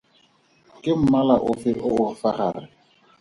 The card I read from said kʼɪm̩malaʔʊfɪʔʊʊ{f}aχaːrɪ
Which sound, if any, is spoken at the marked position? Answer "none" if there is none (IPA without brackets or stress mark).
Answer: f